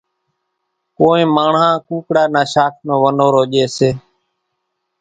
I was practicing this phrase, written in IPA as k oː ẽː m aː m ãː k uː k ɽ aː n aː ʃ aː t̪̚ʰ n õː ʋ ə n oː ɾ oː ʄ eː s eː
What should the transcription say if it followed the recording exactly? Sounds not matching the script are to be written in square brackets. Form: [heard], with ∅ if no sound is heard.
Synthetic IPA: k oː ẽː m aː [ɳ] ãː k uː k ɽ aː n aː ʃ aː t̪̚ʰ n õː ʋ ə n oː ɾ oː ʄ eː s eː